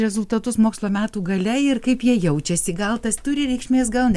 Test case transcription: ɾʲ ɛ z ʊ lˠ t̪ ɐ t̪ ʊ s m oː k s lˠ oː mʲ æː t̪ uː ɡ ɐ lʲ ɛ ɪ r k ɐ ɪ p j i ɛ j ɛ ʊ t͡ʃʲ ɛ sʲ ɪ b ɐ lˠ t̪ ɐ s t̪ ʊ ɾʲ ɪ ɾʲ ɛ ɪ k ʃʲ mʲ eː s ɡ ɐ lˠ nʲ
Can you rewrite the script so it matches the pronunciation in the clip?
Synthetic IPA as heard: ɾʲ ɛ z ʊ lˠ t̪ ɐ t̪ ʊ s m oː k s lˠ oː mʲ æː t̪ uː ɡ ɐ lʲ ɛ ɪ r k ɐ ɪ p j i ɛ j ɛ ʊ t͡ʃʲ ɛ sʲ ɪ ɡ ɐ lˠ t̪ ɐ s t̪ ʊ ɾʲ ɪ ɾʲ ɛ ɪ k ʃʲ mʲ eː s ɡ ɐ lˠ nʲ